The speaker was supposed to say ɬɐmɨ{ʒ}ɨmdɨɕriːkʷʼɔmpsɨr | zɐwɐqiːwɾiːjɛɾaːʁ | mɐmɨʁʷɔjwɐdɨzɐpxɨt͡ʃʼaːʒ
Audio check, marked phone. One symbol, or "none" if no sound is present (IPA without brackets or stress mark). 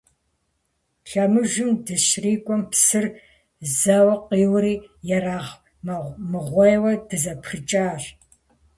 ʒ